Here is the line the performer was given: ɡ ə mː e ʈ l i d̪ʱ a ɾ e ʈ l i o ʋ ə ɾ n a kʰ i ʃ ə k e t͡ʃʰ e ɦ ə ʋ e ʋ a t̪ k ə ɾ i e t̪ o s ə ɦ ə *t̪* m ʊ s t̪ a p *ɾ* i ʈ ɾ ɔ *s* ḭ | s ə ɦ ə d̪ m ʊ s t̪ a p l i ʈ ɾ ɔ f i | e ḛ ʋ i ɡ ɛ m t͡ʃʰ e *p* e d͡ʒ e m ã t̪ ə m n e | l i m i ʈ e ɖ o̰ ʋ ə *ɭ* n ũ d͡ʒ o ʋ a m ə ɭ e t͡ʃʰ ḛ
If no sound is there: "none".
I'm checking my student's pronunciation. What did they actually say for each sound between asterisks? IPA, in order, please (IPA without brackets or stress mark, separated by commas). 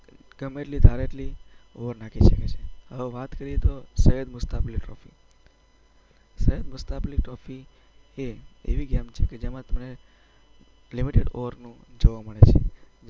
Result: d̪, l, f, k, ɾ